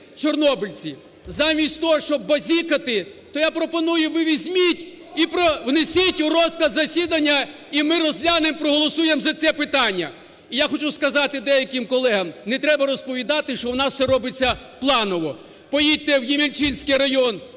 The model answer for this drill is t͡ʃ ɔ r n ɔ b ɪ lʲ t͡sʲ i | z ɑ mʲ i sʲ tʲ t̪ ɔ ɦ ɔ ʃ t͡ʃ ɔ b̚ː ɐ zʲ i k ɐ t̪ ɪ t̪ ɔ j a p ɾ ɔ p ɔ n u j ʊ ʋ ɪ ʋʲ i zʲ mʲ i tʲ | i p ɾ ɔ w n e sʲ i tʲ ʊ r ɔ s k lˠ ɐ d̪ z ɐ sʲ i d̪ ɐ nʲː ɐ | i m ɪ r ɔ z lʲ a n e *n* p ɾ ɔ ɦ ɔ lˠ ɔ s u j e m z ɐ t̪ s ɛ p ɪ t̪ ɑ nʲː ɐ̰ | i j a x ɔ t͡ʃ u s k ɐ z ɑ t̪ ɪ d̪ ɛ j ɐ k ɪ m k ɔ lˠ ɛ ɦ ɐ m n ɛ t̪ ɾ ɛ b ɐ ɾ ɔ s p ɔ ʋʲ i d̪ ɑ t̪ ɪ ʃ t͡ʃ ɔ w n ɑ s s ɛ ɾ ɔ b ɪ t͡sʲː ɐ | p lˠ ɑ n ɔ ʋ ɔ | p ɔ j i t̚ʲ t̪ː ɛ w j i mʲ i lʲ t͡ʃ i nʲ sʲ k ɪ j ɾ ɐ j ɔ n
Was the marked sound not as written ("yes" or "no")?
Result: yes